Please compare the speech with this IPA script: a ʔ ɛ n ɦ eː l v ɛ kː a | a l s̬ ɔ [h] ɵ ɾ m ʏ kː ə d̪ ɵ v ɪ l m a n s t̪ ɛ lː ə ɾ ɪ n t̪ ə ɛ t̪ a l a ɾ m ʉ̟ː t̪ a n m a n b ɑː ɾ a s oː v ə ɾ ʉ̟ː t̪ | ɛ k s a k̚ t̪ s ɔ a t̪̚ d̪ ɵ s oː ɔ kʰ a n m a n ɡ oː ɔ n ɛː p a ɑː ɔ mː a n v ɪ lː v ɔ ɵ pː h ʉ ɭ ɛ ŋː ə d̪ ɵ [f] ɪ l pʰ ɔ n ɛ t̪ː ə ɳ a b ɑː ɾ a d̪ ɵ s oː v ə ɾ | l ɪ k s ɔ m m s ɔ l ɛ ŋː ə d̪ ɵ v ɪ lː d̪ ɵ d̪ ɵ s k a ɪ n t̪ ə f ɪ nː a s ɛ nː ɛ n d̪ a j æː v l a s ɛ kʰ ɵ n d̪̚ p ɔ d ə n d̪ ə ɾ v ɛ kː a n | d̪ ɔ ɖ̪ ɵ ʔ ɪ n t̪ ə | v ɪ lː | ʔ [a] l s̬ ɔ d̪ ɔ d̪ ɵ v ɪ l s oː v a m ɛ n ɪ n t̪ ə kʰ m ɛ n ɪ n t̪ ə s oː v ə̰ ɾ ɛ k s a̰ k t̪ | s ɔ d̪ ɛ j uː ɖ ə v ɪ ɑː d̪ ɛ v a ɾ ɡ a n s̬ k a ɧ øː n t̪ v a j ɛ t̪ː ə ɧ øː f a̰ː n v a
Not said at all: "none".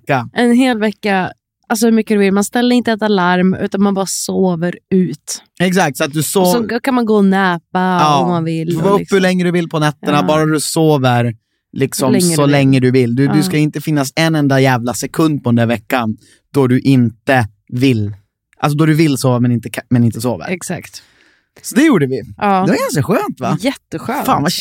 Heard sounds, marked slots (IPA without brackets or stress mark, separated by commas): h, v, a